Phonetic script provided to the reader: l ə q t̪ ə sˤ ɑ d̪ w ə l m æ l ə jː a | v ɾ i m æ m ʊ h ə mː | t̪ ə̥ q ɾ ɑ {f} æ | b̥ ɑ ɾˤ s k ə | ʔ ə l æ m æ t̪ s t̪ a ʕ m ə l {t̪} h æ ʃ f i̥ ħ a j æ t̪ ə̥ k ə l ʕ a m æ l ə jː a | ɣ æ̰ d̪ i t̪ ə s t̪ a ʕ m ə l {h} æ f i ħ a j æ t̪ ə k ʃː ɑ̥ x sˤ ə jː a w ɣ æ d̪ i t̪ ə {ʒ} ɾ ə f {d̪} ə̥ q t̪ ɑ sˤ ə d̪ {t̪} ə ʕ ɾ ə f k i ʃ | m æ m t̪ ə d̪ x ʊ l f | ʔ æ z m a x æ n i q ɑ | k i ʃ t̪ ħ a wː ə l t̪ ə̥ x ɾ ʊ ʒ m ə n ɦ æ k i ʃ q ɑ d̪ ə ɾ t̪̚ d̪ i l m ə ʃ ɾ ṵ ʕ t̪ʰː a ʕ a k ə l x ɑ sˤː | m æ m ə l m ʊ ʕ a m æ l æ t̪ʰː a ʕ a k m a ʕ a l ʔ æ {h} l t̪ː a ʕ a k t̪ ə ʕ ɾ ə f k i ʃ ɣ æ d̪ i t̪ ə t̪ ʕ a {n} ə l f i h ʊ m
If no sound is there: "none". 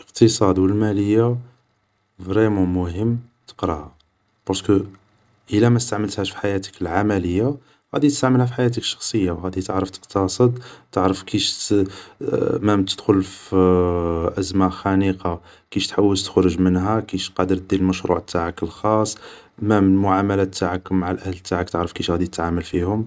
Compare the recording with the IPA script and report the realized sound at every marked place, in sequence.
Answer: h, t̪, h, ʕ, t̪, t̪, h, m

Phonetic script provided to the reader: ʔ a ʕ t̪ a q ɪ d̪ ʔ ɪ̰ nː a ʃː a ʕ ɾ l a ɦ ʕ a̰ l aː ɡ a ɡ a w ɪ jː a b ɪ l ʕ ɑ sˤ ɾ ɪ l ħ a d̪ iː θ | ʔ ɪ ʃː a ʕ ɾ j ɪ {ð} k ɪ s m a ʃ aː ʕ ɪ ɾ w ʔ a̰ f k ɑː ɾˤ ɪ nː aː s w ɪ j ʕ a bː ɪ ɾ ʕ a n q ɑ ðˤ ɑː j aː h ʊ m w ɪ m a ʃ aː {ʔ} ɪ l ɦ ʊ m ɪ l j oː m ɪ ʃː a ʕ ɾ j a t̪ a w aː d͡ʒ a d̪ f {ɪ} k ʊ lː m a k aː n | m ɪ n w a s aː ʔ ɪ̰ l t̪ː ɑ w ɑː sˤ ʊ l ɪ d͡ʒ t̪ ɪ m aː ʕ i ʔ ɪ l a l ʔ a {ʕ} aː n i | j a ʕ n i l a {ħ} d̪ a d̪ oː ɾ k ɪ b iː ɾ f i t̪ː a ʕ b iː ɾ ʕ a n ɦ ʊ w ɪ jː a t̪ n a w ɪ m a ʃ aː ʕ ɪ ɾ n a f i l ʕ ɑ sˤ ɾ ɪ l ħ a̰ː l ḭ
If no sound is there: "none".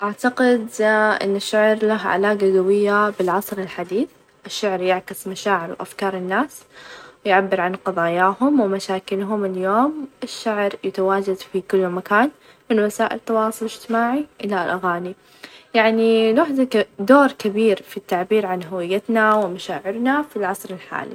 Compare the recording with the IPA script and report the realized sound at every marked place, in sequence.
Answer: ʕ, k, i, ɣ, ħ

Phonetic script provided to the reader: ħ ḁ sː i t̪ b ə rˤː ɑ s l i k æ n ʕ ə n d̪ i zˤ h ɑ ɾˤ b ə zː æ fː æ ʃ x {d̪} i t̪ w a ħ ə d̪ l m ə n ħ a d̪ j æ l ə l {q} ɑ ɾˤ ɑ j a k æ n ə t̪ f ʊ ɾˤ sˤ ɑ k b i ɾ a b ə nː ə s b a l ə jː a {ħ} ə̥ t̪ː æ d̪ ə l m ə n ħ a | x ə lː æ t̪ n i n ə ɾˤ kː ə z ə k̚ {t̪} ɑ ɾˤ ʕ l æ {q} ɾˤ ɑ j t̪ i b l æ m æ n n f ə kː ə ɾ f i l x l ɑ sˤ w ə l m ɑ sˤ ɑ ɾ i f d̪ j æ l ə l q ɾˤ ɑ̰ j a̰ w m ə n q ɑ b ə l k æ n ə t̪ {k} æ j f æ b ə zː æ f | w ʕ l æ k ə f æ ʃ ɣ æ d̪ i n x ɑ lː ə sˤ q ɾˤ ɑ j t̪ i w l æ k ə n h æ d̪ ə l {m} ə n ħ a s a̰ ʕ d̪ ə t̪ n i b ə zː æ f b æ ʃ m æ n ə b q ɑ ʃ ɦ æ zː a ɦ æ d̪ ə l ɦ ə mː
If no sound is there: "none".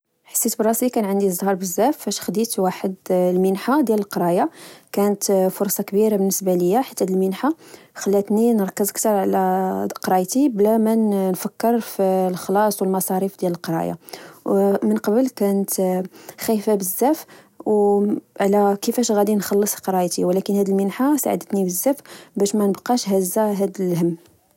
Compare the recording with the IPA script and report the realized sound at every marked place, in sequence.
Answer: d̪, q, ħ, t̪, q, x, m

